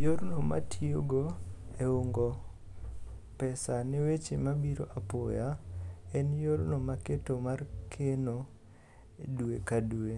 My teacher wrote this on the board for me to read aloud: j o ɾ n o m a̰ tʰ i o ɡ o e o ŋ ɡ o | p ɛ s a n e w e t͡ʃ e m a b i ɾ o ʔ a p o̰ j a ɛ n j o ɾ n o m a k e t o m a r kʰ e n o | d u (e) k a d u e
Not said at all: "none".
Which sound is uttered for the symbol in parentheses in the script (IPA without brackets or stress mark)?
e